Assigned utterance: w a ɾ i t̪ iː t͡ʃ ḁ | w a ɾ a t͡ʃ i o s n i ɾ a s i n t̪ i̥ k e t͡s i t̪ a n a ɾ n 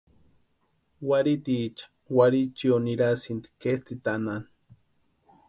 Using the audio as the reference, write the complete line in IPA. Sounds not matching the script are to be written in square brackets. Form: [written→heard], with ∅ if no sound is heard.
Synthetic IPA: w a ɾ i t̪ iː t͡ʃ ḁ | w a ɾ [a→i] t͡ʃ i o [s→∅] n i ɾ a s i n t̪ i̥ k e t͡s i t̪ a n a [ɾ→∅] n

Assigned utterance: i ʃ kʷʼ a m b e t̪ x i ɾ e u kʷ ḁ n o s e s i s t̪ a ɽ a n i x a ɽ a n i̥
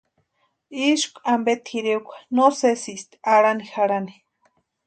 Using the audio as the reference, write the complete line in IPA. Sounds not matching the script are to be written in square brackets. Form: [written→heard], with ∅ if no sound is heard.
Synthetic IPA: i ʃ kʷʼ a m b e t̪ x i ɾ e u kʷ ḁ n o s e s i s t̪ a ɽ a n i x a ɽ a n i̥

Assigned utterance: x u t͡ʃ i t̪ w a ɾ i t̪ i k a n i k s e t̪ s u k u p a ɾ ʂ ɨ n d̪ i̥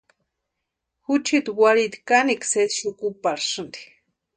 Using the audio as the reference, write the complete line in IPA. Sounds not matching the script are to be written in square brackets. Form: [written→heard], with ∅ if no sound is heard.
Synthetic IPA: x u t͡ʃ i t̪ w a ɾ i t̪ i k a n i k s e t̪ [s→ʃ] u k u p a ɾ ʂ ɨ n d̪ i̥

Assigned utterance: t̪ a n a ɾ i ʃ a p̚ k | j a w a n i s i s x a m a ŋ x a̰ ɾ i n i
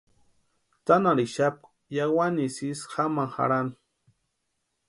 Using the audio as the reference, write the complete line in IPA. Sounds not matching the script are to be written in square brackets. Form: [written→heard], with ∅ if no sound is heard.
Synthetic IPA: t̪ a n a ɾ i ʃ a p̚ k | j a w a n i s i s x a m a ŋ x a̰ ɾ [i→a] n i

